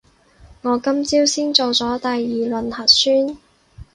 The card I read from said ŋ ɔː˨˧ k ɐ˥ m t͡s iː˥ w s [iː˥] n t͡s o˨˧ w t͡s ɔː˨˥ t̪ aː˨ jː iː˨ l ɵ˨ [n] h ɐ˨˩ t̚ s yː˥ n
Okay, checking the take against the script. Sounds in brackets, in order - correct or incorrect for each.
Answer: correct, correct

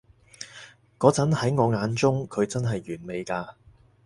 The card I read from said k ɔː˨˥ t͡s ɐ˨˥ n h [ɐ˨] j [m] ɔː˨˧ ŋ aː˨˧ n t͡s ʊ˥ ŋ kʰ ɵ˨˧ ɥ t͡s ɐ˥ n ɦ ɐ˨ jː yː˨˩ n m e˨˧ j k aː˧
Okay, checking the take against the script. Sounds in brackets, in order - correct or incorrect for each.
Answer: incorrect: ɐ˨˥, incorrect: ŋ

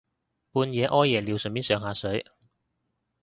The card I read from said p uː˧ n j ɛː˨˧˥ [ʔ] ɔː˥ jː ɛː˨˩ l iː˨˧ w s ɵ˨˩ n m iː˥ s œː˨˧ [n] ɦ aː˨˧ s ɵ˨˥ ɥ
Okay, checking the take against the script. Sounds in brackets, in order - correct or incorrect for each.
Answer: correct, incorrect: ŋ

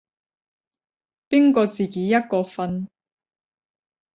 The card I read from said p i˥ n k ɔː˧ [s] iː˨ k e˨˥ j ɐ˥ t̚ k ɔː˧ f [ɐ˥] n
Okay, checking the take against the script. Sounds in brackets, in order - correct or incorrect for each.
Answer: incorrect: t͡s, incorrect: ɐ˧

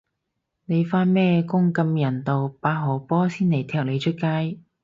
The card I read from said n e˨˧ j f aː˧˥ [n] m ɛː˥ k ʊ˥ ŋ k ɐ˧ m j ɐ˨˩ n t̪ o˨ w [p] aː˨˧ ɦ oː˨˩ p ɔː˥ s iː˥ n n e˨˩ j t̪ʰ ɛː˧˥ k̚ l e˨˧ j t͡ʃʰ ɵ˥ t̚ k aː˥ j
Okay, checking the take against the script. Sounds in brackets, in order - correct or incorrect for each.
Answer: correct, correct

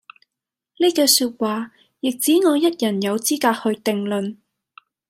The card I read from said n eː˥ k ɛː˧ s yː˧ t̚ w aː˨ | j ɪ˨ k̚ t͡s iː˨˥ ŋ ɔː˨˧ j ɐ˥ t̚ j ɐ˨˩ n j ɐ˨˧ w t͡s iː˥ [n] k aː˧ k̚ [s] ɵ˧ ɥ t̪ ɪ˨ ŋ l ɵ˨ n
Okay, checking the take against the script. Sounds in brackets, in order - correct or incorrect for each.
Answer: incorrect: none, incorrect: h

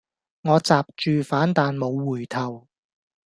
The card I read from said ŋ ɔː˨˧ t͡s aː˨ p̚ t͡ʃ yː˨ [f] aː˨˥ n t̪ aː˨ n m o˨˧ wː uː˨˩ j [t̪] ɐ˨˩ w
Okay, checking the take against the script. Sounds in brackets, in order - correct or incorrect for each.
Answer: correct, incorrect: t̪ʰ

